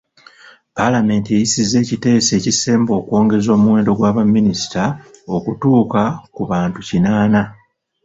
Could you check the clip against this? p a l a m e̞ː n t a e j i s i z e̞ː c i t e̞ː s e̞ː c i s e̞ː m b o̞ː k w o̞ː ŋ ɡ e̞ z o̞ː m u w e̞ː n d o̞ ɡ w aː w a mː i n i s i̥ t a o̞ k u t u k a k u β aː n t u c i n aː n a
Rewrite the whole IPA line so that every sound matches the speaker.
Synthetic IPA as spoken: p a l a m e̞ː n t i e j i s i z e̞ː c i t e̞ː s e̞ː c i s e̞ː m b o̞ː k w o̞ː ŋ ɡ e̞ z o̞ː m u w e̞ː n d o̞ ɡ w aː β a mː i n i s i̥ t a o̞ k u t uː k a k u β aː n t u c i n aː n a